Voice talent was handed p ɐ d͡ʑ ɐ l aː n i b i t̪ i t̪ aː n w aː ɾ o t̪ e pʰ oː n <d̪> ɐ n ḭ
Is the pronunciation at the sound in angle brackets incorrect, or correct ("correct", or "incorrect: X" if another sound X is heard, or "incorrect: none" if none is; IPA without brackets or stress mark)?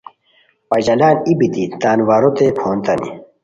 incorrect: t̪